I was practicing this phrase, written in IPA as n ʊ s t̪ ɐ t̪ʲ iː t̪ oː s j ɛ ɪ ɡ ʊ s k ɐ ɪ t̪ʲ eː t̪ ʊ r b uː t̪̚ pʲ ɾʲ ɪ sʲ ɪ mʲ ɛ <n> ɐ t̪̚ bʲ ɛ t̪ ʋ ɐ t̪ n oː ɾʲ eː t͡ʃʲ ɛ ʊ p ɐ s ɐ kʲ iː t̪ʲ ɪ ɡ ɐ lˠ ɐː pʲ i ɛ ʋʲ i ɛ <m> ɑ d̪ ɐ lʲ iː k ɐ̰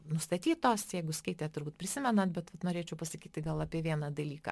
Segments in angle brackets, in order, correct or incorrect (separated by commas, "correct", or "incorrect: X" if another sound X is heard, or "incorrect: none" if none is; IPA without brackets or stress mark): correct, incorrect: n